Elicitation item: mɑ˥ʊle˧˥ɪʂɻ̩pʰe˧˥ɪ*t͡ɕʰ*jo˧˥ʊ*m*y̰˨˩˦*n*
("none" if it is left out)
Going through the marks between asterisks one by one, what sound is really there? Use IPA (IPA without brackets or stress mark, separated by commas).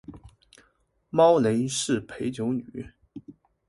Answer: t͡ɕ, n, none